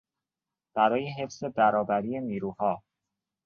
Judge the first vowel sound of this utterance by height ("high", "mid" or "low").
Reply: low